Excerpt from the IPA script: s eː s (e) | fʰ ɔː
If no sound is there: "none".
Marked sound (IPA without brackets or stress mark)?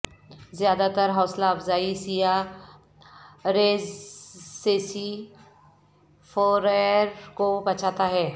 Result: i